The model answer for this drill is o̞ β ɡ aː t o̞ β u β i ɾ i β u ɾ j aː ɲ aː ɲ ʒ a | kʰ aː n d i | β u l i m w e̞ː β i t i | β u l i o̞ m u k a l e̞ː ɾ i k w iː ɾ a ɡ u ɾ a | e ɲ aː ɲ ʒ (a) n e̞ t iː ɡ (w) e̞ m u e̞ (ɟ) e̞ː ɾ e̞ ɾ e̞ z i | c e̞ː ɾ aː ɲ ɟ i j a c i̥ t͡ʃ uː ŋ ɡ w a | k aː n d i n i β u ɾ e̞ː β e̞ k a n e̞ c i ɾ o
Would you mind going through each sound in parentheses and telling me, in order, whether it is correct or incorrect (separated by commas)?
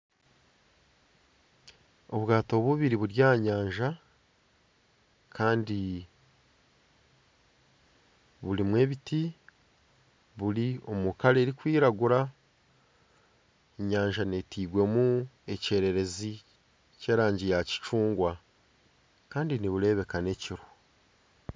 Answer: correct, correct, incorrect